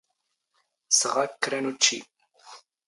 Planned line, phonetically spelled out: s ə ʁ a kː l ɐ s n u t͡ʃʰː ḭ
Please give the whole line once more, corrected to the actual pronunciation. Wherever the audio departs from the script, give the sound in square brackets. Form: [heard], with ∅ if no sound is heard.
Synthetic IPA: s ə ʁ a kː [ɾ] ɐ [∅] n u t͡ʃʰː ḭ